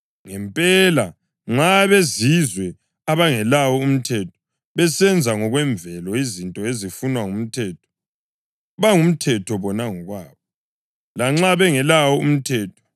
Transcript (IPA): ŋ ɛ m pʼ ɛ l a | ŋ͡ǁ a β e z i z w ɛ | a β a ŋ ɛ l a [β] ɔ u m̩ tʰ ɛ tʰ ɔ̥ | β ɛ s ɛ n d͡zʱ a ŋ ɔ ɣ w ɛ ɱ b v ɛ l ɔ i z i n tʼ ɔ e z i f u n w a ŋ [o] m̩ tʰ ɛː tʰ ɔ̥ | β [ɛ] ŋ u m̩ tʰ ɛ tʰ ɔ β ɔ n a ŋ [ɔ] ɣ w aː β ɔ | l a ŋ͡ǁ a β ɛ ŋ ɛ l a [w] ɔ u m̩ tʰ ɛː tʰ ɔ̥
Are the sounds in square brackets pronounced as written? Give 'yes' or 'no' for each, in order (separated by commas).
no, no, no, yes, yes